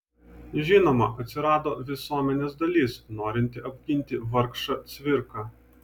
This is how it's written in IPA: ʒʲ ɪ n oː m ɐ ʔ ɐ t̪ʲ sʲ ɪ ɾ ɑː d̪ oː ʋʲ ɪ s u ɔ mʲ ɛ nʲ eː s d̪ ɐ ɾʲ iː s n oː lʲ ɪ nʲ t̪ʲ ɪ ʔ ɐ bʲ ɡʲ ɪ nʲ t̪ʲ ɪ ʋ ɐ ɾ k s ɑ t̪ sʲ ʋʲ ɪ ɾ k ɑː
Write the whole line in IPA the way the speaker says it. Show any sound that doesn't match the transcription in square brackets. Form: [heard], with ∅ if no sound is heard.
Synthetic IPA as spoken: ʒʲ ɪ n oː m ɐ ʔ ɐ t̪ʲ sʲ ɪ ɾ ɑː d̪ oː ʋʲ ɪ s u ɔ mʲ ɛ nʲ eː s d̪ ɐ [lʲ] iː s n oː [ɾʲ] ɪ nʲ t̪ʲ ɪ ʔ ɐ bʲ ɡʲ ɪ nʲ t̪ʲ ɪ ʋ ɐ ɾ k [ʃ] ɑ t̪ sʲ ʋʲ ɪ ɾ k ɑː